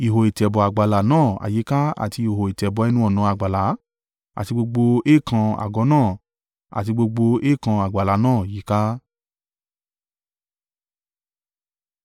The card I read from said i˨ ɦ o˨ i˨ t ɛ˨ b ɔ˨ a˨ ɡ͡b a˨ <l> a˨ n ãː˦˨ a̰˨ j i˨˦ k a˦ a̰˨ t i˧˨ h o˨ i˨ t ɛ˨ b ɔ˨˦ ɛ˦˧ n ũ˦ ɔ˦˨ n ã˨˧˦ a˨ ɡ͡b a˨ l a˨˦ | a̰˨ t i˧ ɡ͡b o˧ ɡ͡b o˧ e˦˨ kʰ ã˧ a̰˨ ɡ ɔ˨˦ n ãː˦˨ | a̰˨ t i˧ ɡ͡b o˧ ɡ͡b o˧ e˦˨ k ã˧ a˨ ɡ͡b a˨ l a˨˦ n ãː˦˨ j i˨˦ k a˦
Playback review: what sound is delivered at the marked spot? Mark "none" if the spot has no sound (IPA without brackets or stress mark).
l